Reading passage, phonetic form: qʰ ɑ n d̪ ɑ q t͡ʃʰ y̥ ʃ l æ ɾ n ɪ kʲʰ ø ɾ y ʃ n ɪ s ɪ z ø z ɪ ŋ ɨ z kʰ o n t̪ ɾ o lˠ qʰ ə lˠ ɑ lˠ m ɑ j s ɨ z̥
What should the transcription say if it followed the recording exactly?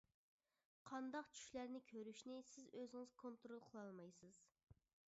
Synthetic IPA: qʰ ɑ n d̪ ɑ q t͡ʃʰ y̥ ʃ l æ ɾ n ɪ kʲʰ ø ɾ y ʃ n ɪ s ɪ z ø z ɪ ŋ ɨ z kʰ o n t̪ ɾ o lˠ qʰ ə lˠ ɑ lˠ m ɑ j s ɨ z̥